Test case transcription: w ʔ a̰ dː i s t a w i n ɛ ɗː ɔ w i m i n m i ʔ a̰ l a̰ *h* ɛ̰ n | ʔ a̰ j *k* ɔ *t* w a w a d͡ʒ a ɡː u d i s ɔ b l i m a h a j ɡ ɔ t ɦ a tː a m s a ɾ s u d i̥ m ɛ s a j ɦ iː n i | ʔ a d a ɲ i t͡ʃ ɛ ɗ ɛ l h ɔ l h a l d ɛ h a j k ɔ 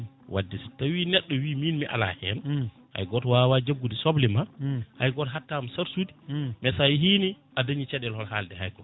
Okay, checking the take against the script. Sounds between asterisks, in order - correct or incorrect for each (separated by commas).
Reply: correct, incorrect, correct